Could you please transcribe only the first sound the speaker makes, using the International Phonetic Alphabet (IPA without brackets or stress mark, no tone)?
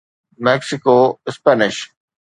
m